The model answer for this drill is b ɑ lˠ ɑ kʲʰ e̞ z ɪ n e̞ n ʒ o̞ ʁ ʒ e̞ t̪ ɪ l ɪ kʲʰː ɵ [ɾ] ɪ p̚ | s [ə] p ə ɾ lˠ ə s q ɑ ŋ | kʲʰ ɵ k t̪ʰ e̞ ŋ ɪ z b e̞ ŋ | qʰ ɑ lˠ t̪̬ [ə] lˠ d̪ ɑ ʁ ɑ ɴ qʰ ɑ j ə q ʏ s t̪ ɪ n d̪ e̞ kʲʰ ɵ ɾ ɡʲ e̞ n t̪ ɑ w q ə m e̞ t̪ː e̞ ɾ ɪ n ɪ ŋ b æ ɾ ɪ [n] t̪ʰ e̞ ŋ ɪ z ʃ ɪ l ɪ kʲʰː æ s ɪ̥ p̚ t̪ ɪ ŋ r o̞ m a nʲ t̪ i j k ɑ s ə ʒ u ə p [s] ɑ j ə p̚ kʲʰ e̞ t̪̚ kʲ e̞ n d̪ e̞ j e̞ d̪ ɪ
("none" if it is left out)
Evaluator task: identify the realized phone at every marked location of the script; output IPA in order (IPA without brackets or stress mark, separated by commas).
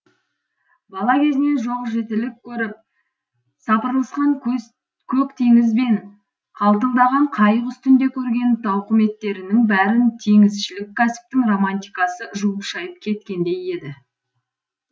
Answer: ɾ, ɑ, ə, n, ʃ